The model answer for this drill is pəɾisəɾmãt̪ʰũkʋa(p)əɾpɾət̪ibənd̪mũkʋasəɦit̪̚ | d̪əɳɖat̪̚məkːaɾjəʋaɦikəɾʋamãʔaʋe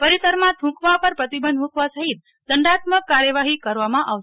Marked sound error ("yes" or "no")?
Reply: no